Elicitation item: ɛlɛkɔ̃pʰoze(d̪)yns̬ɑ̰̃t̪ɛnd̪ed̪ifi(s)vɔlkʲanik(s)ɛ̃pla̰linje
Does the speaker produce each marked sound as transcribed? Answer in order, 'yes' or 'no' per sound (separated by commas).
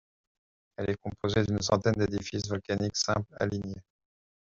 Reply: yes, yes, yes